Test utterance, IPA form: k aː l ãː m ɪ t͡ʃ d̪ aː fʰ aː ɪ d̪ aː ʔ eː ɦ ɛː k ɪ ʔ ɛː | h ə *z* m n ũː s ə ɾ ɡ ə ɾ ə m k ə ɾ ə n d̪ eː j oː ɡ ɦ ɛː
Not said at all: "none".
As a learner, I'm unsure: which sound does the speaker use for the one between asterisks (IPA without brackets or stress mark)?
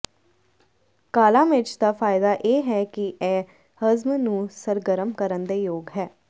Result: z